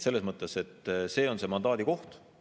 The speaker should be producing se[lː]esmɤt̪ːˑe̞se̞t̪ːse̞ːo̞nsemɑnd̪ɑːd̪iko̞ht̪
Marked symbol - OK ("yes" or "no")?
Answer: yes